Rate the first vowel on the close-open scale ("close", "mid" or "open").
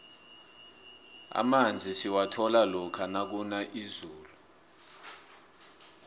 open